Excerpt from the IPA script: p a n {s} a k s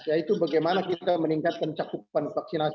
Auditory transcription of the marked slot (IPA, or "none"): f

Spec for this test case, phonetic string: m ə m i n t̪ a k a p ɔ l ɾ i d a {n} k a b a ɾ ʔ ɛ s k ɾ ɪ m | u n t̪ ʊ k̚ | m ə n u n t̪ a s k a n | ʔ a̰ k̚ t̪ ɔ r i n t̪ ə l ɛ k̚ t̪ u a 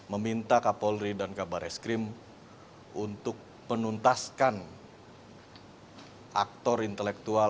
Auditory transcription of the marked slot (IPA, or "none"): n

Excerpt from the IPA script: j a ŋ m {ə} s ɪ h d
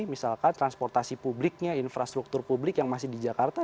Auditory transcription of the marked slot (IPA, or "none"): a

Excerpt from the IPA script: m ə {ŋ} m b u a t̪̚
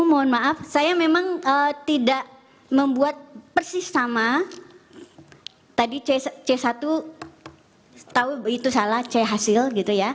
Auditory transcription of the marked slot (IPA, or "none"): none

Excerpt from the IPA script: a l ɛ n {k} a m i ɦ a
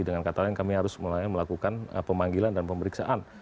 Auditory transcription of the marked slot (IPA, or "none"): k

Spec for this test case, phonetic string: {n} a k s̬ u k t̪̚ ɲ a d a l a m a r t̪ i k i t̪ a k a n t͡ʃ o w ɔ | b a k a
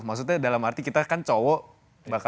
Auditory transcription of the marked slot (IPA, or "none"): m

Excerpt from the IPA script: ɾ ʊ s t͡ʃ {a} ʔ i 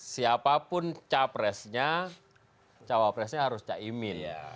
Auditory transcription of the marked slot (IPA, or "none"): a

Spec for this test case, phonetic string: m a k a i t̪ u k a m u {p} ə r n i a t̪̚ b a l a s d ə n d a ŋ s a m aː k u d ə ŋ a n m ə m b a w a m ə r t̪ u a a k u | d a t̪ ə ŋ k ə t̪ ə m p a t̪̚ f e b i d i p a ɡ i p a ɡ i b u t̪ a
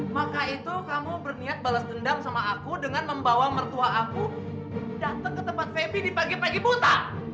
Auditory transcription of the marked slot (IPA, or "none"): b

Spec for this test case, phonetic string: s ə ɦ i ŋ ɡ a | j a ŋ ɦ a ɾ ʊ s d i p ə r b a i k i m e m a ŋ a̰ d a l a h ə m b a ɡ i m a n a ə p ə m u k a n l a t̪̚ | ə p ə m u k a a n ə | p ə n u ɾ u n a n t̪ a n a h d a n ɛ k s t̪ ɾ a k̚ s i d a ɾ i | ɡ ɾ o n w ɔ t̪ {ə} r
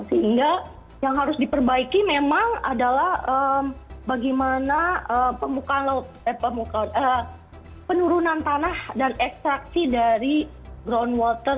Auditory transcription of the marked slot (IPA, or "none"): ə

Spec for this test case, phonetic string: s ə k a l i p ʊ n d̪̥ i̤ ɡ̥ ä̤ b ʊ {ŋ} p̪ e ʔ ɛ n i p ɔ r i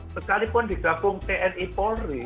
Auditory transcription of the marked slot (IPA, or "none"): ŋ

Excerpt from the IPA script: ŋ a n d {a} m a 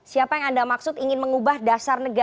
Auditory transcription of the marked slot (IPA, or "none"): a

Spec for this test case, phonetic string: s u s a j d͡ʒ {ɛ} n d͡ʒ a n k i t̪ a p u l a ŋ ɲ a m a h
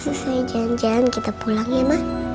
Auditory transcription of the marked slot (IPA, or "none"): a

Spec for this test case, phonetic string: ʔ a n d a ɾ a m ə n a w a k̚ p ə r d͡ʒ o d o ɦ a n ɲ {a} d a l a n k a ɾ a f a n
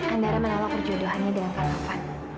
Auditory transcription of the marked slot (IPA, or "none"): a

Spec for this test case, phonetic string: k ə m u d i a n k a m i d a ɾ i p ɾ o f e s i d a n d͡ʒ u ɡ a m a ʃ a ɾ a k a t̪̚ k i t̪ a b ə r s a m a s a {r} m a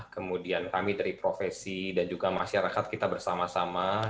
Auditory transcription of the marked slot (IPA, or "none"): none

